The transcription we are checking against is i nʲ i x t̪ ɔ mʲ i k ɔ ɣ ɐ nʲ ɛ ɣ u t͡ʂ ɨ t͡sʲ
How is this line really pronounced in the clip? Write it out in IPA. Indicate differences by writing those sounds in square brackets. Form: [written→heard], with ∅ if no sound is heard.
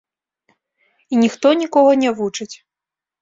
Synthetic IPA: i nʲ i x t̪ ɔ [mʲ→nʲ] i k ɔ ɣ ɐ nʲ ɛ [ɣ→v] u t͡ʂ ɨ t͡sʲ